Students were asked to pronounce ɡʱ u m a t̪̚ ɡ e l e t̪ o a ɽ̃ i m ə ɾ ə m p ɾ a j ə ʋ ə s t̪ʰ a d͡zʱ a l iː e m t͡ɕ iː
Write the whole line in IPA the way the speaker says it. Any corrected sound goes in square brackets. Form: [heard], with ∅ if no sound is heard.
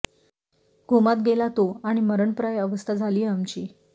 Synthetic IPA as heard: ɡʱ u m a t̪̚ ɡ e l [a] t̪ o a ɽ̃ i m ə ɾ ə [ɳ] p ɾ a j ə ʋ ə s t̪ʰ a d͡zʱ a l iː [a] m t͡ɕ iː